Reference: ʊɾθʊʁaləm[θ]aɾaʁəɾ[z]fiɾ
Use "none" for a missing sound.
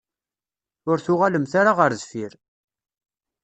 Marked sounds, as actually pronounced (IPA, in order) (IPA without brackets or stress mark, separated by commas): θ, z